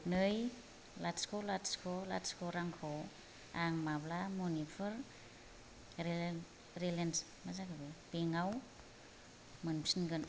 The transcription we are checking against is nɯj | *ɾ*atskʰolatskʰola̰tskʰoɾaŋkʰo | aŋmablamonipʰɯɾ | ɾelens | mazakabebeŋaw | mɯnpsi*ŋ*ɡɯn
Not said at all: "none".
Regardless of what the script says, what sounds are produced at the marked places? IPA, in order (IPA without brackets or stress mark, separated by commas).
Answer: l, n